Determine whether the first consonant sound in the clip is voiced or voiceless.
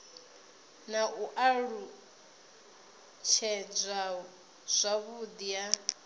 voiced